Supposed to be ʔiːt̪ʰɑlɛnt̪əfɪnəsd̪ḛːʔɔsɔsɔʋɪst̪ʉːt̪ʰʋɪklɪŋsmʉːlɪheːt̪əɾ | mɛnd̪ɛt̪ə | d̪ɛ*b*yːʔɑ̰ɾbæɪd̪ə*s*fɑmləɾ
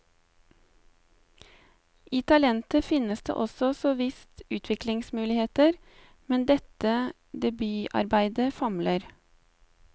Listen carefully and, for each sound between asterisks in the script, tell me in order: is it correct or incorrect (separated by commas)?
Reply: correct, incorrect